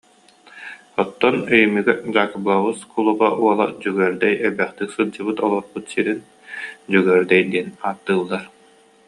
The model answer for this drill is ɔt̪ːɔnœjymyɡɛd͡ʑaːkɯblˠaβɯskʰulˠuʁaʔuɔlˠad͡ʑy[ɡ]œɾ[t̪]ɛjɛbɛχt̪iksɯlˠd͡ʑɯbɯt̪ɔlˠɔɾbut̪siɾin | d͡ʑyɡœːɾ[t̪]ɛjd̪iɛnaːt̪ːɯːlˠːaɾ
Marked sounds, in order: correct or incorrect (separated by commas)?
correct, incorrect, incorrect